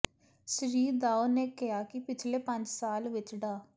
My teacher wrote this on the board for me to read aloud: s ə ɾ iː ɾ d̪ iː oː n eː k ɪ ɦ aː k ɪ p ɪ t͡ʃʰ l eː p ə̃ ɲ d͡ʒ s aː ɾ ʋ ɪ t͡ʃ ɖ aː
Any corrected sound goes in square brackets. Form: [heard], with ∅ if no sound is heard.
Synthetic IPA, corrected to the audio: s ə ɾ iː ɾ d̪ [aː] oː n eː k ɪ ɦ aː k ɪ p ɪ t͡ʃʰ l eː p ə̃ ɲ d͡ʒ s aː [l] ʋ ɪ t͡ʃ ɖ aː